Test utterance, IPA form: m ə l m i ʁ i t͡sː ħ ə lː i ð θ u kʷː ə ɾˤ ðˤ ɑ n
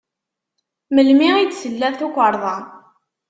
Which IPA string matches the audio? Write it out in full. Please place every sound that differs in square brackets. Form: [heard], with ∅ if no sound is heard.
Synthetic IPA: m ə l m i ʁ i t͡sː [s] ə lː [æ] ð θ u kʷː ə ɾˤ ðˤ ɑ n